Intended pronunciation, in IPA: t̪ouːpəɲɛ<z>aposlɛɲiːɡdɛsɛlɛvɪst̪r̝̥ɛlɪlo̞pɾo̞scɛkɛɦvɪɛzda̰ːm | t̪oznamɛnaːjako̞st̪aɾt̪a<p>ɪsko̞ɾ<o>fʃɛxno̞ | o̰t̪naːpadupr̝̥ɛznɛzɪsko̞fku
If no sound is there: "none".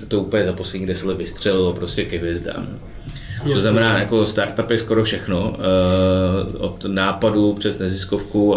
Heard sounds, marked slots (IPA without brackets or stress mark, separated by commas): z, p, o